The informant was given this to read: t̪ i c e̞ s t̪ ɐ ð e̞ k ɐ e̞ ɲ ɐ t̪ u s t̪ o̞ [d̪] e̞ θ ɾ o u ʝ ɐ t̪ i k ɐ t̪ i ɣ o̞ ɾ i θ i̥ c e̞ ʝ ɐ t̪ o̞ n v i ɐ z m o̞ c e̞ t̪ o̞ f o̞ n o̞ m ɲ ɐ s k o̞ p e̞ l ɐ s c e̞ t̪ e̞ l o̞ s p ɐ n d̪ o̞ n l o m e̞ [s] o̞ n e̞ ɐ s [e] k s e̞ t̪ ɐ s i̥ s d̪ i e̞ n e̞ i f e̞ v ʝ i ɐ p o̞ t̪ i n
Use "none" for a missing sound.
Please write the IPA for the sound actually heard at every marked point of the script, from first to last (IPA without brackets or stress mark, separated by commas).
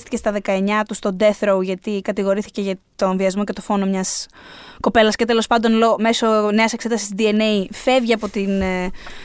d̪, s, e